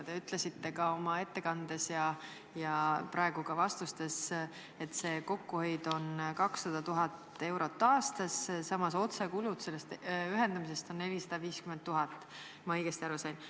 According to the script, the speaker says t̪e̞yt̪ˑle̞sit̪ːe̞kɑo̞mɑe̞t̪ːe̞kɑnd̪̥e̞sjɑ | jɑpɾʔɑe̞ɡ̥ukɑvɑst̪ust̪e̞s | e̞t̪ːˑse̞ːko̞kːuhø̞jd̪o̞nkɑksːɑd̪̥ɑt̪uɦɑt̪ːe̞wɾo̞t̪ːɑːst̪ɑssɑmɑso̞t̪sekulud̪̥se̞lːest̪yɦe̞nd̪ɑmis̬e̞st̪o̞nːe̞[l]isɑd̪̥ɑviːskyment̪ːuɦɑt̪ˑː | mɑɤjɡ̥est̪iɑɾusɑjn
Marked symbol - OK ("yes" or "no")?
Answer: yes